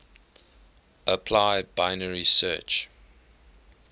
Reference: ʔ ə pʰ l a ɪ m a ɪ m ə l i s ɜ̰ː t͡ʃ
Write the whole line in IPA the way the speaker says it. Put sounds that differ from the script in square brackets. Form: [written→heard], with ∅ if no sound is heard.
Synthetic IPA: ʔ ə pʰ l a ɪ [m→b] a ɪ [m→n] ə [l→ɹ] i s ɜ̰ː t͡ʃ

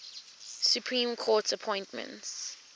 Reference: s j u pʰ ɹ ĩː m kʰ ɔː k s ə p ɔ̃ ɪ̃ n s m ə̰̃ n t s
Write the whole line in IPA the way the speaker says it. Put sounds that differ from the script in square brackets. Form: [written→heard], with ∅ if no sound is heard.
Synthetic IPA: s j u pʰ ɹ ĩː m kʰ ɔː [k→t] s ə [p→pʰ] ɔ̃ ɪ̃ n [s→t] m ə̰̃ n t s

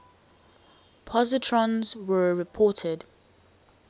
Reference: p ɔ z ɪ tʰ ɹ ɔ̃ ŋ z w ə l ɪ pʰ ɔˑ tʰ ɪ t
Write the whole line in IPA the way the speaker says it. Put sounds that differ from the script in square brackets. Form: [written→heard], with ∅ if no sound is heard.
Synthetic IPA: [p→pʰ] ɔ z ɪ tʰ ɹ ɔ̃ [ŋ→n] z w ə [l→ɹ] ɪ pʰ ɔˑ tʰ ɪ [t→d]

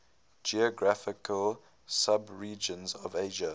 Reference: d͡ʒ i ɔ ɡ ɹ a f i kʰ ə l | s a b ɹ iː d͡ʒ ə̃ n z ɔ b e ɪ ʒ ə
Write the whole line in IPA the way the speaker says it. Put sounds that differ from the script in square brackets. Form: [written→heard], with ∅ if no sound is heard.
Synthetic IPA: d͡ʒ i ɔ ɡ ɹ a f [i→ɪ] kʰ ə l | s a b ɹ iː d͡ʒ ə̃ n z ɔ [b→v] e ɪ ʒ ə

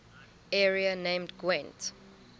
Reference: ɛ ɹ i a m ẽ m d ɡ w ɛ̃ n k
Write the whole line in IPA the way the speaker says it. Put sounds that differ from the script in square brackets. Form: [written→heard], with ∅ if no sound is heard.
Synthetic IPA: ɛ ɹ i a [m→n] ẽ m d ɡ w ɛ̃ n [k→t]

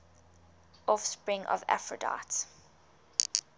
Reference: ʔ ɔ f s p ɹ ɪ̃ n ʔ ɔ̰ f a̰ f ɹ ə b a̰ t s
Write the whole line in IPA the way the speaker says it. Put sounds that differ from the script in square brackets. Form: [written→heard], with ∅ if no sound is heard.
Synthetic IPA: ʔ ɔ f s p ɹ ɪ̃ [n→ŋ] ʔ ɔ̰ [f→v] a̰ f ɹ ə [b→d] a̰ t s

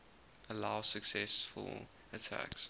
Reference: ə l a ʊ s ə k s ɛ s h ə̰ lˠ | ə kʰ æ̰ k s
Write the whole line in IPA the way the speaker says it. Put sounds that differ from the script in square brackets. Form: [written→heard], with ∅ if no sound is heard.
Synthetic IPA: ə l a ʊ s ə k s ɛ s [h→f] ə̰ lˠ | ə [kʰ→tʰ] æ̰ k s

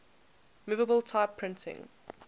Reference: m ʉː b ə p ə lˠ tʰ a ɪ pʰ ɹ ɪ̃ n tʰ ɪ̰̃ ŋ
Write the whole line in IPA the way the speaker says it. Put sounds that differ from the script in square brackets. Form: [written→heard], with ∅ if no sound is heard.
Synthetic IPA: m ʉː [b→v] ə [p→b] ə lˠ tʰ a ɪ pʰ ɹ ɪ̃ n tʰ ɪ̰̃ ŋ

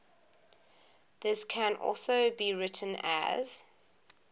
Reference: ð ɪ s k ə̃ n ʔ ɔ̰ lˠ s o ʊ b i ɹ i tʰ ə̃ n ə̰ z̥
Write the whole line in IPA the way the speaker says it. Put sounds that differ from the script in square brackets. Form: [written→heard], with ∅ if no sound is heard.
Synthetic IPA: ð ɪ s [k→kʰ] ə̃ n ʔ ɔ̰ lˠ s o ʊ b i ɹ [i→ɪ] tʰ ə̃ n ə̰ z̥

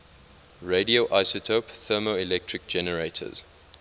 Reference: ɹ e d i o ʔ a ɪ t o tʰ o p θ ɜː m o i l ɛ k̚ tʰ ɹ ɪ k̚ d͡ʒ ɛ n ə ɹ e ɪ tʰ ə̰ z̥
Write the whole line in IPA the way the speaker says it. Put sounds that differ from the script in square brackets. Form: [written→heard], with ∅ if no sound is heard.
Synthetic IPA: ɹ e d i o ʔ a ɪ [t→s] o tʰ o p θ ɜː m o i l ɛ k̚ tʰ ɹ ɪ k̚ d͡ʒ ɛ n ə ɹ e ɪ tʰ ə̰ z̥

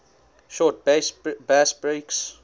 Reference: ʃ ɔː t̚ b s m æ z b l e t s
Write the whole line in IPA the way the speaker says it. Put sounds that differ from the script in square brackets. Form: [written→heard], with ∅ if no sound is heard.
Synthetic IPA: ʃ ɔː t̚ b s [m→b] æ [z→s] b [l→ɹ] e [t→k] s

